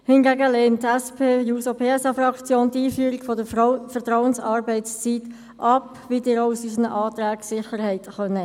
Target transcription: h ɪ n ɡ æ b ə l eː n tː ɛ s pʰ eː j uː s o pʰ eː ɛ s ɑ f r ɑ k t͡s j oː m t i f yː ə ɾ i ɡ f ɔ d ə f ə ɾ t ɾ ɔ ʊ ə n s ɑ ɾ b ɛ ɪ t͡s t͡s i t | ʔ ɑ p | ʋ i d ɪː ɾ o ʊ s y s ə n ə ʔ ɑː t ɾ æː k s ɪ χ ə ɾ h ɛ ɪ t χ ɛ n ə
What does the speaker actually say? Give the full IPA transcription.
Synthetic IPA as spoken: h ɪ n ɡ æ ɡ ə l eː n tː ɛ s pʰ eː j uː s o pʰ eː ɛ s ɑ f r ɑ k t͡s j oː n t iː f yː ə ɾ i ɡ f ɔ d ə f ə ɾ t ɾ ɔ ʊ ə n s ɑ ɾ b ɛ ɪ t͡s t͡s i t | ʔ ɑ p | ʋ i d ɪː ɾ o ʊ s y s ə n ə ʔ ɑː t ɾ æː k s ɪ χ ə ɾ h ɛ ɪ t χ œ n ə